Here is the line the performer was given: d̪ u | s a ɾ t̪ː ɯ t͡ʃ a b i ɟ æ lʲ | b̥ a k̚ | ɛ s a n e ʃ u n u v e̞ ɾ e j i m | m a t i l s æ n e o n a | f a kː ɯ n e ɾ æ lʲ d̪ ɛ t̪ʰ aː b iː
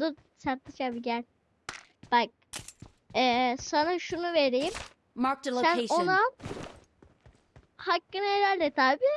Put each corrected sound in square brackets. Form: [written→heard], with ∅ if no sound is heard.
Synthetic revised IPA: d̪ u | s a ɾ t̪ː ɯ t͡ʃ a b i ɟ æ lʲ | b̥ a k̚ | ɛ s a n [e→a] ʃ u n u v e̞ ɾ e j i m | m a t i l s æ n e o n a | [f→h] a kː ɯ n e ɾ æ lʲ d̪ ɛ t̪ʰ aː b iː

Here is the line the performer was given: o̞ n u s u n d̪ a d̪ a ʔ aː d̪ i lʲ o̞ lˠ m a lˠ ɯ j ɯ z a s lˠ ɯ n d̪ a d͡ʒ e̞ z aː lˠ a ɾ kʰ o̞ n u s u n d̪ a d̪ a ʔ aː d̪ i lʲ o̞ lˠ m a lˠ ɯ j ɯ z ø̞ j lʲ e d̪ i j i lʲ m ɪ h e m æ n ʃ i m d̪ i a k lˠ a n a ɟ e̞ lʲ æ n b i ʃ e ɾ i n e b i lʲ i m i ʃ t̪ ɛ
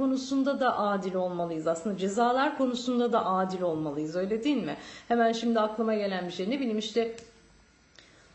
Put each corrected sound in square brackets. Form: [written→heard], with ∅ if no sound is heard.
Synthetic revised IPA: o̞ n u s u n d̪ a d̪ a ʔ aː d̪ i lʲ o̞ lˠ m a lˠ ɯ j ɯ z a s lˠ ɯ n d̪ a d͡ʒ e̞ z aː lˠ a ɾ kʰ o̞ n u s u n d̪ a d̪ a ʔ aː d̪ i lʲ o̞ lˠ m a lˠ ɯ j ɯ z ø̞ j lʲ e d̪ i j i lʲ m ɪ h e m æ n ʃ i m d̪ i a k lˠ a [n→m] a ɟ e̞ lʲ æ n b i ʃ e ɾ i n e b i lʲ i m i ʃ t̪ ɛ

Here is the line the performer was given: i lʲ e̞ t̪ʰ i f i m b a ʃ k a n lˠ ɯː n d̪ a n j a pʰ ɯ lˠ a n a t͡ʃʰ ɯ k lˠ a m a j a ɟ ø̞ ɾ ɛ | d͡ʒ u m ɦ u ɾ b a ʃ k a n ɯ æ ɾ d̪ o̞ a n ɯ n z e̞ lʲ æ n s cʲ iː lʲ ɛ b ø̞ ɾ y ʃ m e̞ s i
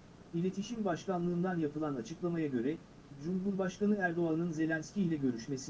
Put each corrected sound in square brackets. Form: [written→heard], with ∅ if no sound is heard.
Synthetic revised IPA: i lʲ e̞ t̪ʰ i [f→ʃ] i m b a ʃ k a n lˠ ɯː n d̪ a n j a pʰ ɯ lˠ a n a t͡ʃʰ ɯ k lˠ a m a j a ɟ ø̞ ɾ ɛ | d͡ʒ u m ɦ u ɾ b a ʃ k a n ɯ æ ɾ d̪ o̞ a n ɯ n z e̞ lʲ æ n s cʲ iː lʲ ɛ [b→ɟ] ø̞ ɾ y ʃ m e̞ s i

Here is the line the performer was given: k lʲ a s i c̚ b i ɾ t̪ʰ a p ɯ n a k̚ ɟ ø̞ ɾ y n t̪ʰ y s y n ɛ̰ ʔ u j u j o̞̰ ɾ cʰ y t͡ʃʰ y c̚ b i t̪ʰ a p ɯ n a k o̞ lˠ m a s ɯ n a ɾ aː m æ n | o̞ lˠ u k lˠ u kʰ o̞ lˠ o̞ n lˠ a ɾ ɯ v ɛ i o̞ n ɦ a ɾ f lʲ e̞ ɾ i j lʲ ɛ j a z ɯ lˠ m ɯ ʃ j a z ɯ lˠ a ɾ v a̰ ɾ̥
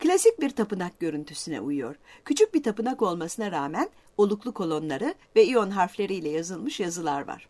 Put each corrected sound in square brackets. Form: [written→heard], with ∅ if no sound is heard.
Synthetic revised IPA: k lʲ a s i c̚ b i ɾ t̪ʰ a p ɯ n a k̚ ɟ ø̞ ɾ y n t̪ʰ y s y n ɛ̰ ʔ u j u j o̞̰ ɾ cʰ y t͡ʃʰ y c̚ b i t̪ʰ a p ɯ n a k o̞ lˠ m a s ɯ n a ɾ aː m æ n | o̞ lˠ u k lˠ u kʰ o̞ lˠ o̞ n lˠ a ɾ ɯ v ɛ i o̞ n ɦ a ɾ f lʲ e̞ ɾ i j lʲ ɛ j a z ɯ lˠ m ɯ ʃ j a z ɯ lˠ a ɾ v a̰ ɾ̥

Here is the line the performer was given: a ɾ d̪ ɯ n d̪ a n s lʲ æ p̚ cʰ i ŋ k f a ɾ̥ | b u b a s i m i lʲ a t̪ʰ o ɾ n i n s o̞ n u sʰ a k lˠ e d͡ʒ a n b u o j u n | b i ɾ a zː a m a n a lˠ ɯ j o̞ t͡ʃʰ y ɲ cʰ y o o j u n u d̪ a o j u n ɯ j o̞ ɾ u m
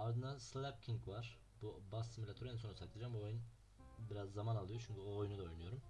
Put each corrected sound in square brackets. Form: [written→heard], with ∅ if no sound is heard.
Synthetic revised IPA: a ɾ d̪ ɯ n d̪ a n s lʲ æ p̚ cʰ i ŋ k [f→v] a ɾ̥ | b u b a s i m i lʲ a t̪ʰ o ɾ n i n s o̞ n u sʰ a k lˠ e d͡ʒ a [n→m] b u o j u n | b i ɾ a zː a m a n a lˠ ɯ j o̞ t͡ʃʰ y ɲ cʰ y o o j u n u d̪ a o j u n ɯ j o̞ ɾ u m

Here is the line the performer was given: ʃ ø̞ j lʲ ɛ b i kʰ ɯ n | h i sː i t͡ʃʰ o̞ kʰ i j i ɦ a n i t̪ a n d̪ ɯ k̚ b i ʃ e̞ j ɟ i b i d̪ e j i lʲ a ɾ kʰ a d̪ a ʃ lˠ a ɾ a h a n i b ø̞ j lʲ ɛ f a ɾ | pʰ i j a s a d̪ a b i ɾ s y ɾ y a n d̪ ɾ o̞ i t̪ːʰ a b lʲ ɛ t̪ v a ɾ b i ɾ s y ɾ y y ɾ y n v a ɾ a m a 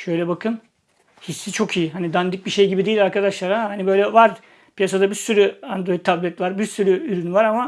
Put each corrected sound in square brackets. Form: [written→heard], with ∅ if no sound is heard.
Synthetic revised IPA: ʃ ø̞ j lʲ ɛ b [i→a] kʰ ɯ n | h i sː i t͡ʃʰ o̞ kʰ i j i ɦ a n i [t̪→d̪] a n d̪ ɯ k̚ b i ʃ e̞ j ɟ i b i d̪ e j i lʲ a ɾ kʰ a d̪ a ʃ lˠ a ɾ a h a n i b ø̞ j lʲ ɛ [f→v] a ɾ | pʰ i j a s a d̪ a b i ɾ s y ɾ y a n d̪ ɾ o̞ i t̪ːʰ a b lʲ ɛ t̪ v a ɾ b i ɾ s y ɾ y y ɾ y n v a ɾ a m a

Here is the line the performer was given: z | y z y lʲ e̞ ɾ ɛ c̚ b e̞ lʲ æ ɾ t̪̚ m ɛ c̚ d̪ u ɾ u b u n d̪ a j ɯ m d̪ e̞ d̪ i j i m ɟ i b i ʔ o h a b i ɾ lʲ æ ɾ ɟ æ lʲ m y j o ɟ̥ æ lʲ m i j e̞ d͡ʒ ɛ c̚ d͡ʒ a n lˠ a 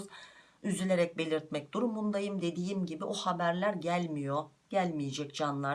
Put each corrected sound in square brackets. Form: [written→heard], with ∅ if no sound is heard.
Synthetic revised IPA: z | y z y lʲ e̞ ɾ ɛ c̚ b e̞ lʲ [æ→i] ɾ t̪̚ m ɛ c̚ d̪ u ɾ u [b→m] u n d̪ a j ɯ m d̪ e̞ d̪ i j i m ɟ i b i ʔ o h a b [i→æ] ɾ lʲ æ ɾ ɟ æ lʲ m [y→i] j o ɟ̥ æ lʲ m i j e̞ d͡ʒ ɛ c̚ d͡ʒ a n lˠ a

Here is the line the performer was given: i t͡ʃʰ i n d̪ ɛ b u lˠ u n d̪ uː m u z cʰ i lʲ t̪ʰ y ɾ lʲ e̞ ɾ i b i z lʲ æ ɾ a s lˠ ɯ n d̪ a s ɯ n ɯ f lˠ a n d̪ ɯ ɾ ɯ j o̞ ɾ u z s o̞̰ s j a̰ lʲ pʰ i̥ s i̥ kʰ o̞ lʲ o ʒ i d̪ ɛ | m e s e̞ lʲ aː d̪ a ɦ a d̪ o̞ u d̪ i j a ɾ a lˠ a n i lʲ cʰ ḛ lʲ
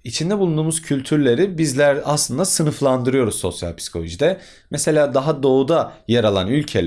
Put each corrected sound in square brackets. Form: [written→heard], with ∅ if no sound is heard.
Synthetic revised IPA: i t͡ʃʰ i n d̪ ɛ b u lˠ u n d̪ uː m u z cʰ [i→y] lʲ t̪ʰ y ɾ lʲ e̞ ɾ i b i z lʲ æ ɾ a s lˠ ɯ n d̪ a s ɯ n ɯ f lˠ a n d̪ ɯ ɾ ɯ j o̞ ɾ u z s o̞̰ s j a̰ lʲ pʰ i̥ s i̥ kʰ o̞ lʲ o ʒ i d̪ ɛ | m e s e̞ lʲ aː d̪ a ɦ a d̪ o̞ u d̪ [i→a] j a ɾ a lˠ a n [i→y] lʲ cʰ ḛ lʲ

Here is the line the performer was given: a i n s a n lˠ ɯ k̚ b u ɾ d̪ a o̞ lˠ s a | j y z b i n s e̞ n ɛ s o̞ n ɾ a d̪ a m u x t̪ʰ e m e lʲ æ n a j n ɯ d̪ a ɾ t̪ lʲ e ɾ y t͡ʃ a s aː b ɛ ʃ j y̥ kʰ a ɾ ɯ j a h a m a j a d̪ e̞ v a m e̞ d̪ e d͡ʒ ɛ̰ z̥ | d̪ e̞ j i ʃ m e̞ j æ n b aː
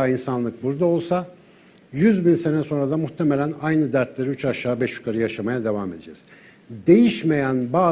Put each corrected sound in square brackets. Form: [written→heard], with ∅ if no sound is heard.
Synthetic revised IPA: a i n s a n lˠ ɯ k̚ b u ɾ d̪ a o̞ lˠ s a | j y z b i n s e̞ n ɛ s o̞ n ɾ a d̪ a m u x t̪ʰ e m e lʲ æ n a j n ɯ d̪ [a→æ] ɾ t̪ lʲ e ɾ y t͡ʃ a [s→ʃ] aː b ɛ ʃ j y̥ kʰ a ɾ ɯ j a [h→ʃ] a m a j a d̪ e̞ v a m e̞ d̪ e d͡ʒ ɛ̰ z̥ | d̪ e̞ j i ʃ m e̞ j æ n b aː

